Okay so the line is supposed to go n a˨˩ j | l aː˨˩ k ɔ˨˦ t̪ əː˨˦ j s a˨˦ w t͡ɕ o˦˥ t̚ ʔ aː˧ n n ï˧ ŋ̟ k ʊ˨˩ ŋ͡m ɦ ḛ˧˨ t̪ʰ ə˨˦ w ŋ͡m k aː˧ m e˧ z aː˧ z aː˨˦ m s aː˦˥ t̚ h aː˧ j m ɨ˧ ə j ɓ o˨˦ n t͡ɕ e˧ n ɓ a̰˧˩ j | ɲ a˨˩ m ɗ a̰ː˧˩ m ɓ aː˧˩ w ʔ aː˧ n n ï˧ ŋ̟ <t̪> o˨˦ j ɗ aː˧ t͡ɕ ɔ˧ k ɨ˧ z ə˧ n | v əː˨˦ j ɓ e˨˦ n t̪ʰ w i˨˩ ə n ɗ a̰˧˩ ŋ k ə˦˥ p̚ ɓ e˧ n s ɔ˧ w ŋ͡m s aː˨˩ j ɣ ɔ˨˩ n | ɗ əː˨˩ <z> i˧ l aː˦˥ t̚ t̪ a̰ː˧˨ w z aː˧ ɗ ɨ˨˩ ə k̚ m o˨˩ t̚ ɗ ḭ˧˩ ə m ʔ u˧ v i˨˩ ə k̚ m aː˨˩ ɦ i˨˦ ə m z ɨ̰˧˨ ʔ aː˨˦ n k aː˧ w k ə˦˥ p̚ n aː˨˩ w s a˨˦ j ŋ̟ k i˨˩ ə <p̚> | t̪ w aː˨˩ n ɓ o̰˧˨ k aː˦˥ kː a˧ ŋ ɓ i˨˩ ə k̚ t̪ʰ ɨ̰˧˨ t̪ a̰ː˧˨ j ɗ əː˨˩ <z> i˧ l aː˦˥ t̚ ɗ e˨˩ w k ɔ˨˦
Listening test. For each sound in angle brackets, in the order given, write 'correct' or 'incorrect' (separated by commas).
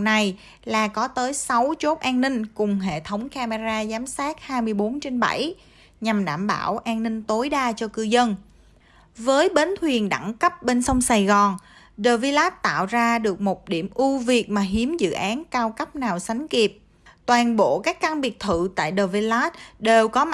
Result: correct, incorrect, correct, incorrect